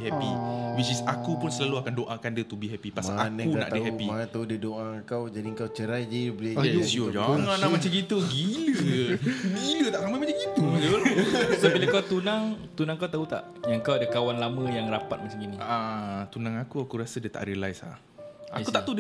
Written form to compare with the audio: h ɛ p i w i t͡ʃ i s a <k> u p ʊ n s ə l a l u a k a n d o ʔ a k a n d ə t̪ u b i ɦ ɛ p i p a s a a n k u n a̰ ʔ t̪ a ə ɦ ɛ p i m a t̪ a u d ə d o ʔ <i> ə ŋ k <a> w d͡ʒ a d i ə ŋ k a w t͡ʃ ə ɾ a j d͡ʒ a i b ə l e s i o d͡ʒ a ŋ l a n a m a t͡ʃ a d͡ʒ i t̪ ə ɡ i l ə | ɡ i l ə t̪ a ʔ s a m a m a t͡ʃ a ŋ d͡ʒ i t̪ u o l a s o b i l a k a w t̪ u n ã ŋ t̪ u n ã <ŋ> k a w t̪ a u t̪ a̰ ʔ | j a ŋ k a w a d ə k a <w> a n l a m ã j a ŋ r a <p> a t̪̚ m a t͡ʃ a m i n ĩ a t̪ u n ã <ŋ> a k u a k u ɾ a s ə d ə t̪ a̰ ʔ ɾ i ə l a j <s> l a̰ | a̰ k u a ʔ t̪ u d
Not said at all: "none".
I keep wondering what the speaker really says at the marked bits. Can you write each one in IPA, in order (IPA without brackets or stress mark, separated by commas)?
k, a, a, ŋ, w, p, ŋ, s